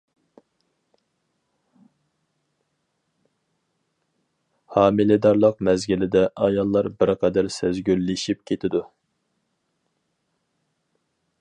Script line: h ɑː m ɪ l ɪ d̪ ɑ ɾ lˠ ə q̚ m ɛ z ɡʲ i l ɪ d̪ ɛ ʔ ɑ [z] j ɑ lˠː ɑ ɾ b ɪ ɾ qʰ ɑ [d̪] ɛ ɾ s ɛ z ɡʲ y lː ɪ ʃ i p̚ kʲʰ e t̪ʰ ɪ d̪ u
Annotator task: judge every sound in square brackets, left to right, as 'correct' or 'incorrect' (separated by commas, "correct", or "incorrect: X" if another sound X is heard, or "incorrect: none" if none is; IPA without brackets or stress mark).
incorrect: none, correct